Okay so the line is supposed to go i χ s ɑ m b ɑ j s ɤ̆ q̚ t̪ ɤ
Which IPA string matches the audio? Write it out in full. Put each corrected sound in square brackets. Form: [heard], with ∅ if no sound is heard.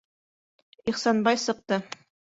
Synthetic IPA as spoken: i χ s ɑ [n] b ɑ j s ɤ̆ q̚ t̪ ɤ